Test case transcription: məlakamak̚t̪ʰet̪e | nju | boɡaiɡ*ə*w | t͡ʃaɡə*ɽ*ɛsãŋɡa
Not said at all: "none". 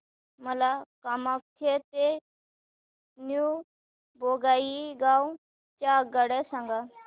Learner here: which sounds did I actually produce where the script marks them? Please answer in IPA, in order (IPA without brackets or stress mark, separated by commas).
a, ɽ